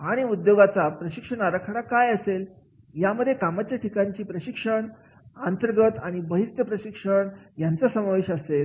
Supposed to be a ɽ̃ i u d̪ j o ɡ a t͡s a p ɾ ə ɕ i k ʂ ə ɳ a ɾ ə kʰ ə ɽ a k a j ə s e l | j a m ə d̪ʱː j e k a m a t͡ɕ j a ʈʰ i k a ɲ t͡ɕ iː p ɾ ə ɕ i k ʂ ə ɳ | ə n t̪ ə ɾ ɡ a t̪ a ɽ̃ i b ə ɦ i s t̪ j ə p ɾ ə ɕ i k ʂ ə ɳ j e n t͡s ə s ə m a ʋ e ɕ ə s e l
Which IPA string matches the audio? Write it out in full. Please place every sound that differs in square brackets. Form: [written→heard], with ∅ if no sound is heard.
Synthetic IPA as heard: a ɽ̃ i u d̪ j o ɡ a t͡s a p ɾ ə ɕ i k ʂ ə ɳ a ɾ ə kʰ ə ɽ a k a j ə s e l | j a m ə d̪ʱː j e k a m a t͡ɕ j a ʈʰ i k a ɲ t͡ɕ iː p ɾ ə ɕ i k ʂ ə ɳ | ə n t̪ ə ɾ ɡ [a→ə] t̪ a ɽ̃ i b ə ɦ i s t̪ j ə p ɾ ə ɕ i k ʂ ə ɳ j [e→a] n t͡s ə s ə m a ʋ e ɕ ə s e l